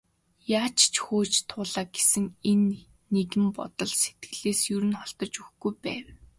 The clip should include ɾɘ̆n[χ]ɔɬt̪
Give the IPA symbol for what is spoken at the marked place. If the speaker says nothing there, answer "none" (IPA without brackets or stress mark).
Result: χ